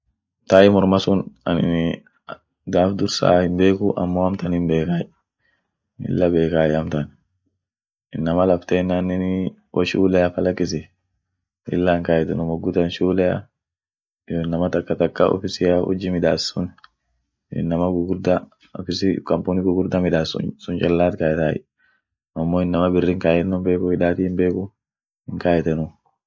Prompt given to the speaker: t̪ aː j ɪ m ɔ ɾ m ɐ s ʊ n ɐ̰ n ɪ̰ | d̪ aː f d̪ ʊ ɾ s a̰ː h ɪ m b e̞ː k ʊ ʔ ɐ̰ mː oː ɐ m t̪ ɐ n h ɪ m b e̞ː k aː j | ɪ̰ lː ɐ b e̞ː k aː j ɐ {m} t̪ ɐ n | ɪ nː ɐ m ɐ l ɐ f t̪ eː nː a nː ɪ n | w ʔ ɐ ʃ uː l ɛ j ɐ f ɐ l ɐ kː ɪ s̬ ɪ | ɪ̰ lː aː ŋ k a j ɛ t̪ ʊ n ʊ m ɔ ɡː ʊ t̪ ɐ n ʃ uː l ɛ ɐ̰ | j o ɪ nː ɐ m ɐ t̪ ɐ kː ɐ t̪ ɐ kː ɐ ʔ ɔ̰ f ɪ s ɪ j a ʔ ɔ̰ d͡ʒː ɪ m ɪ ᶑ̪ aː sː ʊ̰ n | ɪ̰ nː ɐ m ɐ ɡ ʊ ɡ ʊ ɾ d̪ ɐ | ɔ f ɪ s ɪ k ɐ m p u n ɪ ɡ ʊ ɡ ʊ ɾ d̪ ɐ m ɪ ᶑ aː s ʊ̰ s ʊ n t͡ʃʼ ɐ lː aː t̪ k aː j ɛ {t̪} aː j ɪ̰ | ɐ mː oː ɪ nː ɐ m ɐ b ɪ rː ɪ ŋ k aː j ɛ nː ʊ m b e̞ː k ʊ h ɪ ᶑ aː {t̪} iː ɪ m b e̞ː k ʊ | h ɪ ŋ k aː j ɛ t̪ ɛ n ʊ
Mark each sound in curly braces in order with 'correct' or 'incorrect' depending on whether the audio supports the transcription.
correct, correct, correct

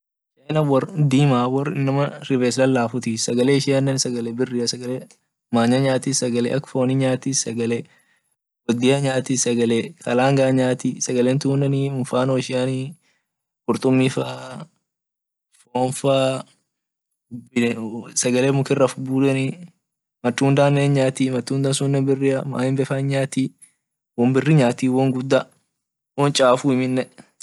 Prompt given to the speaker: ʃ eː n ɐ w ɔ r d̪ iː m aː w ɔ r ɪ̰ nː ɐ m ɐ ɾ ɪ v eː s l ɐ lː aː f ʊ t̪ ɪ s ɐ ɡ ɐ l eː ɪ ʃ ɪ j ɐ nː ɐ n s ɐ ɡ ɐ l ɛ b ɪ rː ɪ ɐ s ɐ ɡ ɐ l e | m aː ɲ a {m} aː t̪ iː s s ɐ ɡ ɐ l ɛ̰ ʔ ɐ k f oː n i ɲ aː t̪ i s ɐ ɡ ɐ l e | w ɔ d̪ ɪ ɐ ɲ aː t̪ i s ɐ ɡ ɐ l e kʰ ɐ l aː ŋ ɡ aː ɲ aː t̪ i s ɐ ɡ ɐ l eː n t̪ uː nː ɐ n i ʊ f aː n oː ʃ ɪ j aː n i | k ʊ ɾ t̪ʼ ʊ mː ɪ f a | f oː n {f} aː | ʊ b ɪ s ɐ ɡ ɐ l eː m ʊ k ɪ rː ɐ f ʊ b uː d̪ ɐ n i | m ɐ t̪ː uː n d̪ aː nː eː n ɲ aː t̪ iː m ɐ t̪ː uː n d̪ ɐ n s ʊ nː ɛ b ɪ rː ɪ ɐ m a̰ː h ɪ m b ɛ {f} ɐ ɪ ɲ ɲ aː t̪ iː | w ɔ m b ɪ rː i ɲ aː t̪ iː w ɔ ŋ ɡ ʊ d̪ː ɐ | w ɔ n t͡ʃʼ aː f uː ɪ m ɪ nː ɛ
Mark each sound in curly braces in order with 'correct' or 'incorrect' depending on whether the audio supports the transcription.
incorrect, correct, correct

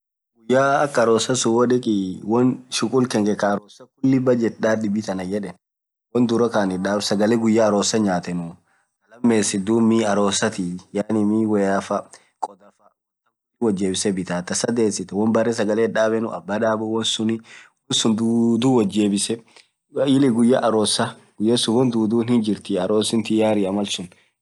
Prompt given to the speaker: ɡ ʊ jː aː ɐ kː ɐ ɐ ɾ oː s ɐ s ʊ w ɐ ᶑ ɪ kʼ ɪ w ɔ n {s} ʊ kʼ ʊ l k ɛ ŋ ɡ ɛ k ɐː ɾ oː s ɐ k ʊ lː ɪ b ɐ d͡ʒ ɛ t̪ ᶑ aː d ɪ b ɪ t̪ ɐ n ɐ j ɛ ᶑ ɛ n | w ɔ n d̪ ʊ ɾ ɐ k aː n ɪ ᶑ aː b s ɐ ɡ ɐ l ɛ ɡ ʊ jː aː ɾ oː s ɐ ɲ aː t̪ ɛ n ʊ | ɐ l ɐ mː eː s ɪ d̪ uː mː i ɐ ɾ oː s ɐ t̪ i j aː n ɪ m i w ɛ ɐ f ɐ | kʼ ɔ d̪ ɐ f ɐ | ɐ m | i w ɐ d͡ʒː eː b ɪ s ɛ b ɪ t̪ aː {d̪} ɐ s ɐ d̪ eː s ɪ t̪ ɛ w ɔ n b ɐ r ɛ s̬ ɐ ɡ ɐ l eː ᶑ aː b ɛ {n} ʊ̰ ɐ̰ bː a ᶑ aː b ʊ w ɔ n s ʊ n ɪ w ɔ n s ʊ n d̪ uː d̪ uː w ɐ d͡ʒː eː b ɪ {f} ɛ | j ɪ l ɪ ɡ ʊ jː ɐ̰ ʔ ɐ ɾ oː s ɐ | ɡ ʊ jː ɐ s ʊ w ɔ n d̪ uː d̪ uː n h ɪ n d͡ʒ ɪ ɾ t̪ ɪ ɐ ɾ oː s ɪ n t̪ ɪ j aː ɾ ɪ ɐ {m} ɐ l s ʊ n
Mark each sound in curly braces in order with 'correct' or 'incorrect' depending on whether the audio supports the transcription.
incorrect, incorrect, correct, incorrect, correct

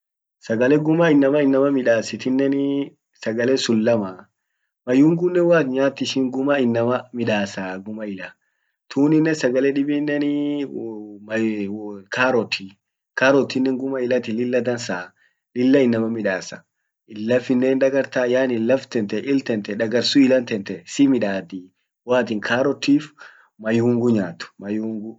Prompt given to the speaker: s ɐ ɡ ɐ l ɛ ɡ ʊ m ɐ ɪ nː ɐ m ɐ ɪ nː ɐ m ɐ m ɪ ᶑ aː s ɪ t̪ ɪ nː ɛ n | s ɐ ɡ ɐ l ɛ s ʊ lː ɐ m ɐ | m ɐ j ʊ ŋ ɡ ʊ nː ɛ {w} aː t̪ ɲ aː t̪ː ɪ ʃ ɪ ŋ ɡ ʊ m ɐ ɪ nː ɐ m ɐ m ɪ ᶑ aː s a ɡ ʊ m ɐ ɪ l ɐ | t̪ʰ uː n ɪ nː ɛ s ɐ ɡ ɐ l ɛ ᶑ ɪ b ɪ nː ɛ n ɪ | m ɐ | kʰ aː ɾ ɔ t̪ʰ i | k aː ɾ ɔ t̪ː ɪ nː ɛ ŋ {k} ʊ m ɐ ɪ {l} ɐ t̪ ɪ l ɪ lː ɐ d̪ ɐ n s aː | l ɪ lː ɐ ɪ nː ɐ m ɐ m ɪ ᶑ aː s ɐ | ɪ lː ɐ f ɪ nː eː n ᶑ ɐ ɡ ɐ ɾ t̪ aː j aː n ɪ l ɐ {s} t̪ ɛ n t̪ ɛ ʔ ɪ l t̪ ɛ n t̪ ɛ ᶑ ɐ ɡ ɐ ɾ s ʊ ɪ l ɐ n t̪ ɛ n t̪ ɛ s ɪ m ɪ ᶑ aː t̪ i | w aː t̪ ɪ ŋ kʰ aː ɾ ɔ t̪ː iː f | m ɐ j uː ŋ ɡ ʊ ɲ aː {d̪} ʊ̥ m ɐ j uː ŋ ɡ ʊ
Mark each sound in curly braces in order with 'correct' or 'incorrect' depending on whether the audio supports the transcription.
correct, incorrect, correct, incorrect, incorrect

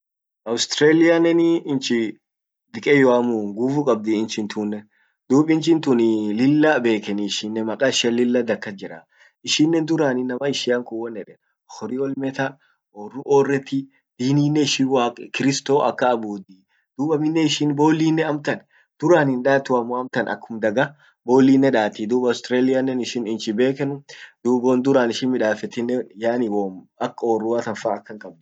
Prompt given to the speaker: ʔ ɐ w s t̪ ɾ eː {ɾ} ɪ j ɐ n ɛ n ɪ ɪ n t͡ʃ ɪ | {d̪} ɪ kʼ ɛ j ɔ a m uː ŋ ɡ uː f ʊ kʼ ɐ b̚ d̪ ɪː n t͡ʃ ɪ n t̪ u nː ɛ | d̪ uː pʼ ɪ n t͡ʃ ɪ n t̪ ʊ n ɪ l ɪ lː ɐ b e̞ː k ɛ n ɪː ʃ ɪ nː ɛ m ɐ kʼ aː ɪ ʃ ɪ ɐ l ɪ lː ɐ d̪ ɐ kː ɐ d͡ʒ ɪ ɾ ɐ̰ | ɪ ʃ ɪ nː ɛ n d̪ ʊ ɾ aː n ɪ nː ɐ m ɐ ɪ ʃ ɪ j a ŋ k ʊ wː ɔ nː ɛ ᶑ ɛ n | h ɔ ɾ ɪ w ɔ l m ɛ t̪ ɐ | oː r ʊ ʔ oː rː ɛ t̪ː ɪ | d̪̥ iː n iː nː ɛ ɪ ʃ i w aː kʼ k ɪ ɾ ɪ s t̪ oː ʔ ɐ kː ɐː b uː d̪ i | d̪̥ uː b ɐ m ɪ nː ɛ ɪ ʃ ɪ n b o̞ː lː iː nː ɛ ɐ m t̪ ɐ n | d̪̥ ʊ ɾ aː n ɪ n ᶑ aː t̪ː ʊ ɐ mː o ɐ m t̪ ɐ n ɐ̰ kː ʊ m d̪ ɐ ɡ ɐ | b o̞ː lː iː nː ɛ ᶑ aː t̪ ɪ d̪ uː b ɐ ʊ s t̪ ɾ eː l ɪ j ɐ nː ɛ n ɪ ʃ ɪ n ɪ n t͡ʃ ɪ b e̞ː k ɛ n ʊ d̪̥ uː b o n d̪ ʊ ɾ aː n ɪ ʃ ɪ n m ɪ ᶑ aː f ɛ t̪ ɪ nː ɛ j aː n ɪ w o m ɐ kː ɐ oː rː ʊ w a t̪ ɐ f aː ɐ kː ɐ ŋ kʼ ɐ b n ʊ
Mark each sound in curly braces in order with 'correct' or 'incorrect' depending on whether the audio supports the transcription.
incorrect, correct

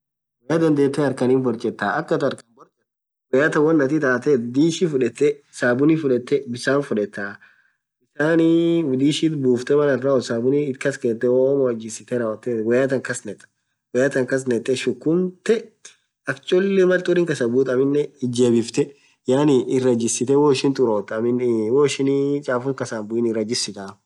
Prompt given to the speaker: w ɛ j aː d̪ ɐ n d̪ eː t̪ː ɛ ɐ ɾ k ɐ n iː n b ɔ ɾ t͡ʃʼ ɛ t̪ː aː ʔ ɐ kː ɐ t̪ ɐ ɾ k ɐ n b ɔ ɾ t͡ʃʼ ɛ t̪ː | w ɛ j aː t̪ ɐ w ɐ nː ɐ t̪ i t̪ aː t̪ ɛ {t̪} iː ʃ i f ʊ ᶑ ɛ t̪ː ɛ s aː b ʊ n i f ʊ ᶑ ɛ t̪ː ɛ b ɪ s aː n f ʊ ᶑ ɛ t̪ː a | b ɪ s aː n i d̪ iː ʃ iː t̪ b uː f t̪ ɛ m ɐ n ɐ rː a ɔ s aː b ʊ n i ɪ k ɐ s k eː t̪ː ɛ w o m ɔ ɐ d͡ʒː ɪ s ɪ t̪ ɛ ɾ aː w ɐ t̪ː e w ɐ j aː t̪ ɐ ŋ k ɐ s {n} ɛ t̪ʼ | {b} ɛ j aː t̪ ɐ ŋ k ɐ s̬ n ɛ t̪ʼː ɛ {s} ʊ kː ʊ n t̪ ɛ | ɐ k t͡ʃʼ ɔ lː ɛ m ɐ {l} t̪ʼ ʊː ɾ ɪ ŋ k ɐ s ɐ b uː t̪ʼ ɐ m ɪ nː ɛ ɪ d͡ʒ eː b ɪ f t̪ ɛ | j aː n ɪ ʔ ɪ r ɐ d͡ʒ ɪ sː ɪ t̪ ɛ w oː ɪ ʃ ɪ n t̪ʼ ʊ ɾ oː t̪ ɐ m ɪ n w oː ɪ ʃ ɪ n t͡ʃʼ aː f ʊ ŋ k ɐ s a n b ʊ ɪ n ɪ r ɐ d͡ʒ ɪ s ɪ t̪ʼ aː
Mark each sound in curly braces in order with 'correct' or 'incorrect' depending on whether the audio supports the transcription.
incorrect, correct, incorrect, incorrect, correct

